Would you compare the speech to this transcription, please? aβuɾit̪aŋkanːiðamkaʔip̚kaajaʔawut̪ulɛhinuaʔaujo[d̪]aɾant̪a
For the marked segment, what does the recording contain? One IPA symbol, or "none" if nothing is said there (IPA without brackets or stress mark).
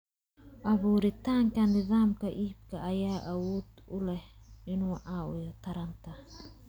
t̪